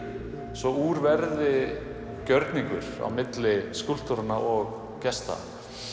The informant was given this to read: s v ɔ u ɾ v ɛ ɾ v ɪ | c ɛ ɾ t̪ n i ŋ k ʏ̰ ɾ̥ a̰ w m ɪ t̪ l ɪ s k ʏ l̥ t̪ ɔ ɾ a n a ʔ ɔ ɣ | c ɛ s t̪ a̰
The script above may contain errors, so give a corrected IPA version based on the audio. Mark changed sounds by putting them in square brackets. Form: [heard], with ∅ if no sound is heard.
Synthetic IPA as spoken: s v ɔ u ɾ v ɛ ɾ [ð] ɪ | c [œ] ɾ t̪ n i ŋ k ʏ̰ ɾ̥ a̰ w m ɪ t̪ l ɪ s k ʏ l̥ t̪ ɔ ɾ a n a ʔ ɔ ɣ | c ɛ s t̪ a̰